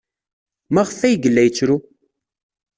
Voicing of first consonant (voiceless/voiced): voiced